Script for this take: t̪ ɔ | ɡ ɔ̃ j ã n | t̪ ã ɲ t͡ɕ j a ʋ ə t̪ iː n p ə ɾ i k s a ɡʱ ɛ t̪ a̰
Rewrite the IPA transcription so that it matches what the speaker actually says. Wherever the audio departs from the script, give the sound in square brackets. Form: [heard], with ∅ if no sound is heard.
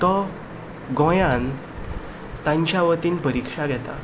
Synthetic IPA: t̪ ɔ | ɡ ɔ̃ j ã n | t̪ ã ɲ t͡ɕ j a ʋ ə t̪ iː n p ə ɾ i k [ʂ] a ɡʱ ɛ t̪ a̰